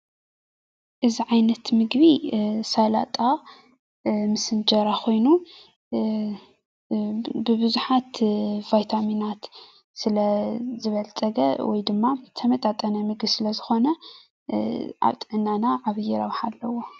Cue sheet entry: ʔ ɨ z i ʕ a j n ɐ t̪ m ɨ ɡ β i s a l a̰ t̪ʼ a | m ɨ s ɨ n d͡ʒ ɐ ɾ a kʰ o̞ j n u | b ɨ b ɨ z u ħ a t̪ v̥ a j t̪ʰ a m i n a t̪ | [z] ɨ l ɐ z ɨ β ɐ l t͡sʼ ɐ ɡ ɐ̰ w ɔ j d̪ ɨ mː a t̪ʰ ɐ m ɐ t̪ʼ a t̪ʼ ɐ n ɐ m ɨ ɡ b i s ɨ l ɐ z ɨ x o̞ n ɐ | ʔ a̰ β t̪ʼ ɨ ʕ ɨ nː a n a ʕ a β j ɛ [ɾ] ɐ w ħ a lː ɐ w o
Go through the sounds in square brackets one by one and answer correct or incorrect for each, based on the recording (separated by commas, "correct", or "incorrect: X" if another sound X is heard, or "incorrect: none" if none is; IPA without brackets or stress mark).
incorrect: s, correct